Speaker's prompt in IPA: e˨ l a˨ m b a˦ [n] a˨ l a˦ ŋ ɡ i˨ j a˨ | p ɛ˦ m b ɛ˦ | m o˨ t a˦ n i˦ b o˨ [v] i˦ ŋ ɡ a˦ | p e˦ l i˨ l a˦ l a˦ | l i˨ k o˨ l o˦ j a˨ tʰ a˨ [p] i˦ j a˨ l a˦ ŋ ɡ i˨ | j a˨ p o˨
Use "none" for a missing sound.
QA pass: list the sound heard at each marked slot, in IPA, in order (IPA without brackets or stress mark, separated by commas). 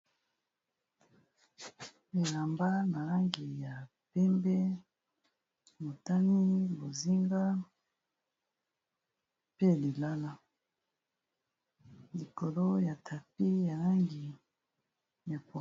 n, z, p